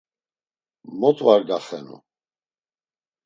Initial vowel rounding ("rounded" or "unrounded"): rounded